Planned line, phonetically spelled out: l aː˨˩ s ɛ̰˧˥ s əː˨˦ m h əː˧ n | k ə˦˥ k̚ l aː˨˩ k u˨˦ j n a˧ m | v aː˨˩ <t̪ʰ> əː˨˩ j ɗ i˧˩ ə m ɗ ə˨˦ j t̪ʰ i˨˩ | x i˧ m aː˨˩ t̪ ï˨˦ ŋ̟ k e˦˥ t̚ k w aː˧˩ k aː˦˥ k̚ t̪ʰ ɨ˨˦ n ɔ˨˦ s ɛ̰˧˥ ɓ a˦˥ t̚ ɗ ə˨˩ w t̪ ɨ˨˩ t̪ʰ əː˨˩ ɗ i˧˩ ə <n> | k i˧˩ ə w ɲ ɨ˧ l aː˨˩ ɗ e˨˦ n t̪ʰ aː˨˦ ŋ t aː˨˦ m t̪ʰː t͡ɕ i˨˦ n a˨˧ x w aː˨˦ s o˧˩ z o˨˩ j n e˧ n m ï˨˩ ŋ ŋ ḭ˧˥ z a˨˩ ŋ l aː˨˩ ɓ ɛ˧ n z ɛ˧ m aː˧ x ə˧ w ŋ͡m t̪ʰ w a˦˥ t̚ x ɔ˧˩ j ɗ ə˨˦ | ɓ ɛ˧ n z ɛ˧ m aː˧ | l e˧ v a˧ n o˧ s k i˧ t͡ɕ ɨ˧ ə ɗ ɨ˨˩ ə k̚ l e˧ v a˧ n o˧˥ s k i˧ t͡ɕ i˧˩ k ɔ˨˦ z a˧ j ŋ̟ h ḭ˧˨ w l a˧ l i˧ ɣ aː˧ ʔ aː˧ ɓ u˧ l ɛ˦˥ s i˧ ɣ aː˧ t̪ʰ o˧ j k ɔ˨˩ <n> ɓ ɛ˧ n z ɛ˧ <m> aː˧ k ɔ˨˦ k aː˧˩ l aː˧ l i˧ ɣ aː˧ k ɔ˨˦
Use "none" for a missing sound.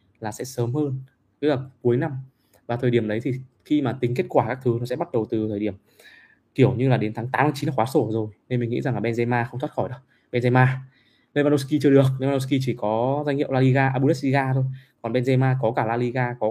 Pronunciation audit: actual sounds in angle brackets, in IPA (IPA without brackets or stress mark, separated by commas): t̪ʰ, m, n, m